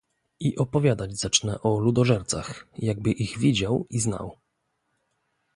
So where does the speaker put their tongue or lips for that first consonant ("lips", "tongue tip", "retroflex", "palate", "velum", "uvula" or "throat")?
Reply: throat